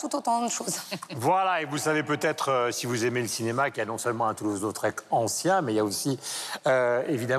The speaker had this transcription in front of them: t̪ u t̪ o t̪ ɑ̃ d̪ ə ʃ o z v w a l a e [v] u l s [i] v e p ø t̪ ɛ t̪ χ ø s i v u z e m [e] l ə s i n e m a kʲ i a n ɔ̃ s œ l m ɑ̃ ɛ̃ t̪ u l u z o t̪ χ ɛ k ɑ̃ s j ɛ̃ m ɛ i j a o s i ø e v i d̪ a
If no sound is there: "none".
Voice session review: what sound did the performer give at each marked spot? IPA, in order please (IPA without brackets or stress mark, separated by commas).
v, a, e